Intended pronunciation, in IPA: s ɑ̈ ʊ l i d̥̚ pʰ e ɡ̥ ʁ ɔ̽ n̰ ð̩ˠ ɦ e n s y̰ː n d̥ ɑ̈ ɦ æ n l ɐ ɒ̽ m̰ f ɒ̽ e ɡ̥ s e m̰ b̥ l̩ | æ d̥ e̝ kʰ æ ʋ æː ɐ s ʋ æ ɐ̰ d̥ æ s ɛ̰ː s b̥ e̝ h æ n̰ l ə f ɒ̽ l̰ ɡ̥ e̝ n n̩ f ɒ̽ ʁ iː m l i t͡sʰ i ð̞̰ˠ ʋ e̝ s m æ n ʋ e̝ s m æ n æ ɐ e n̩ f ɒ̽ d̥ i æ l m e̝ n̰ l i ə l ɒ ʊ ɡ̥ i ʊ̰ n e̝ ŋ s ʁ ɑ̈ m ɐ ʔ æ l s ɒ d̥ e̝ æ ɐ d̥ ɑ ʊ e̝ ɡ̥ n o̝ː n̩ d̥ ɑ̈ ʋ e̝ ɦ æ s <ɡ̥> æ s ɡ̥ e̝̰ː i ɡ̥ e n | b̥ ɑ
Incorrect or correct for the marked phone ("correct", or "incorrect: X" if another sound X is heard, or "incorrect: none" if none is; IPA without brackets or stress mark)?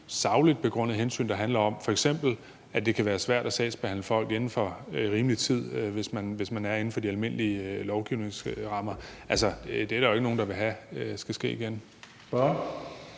correct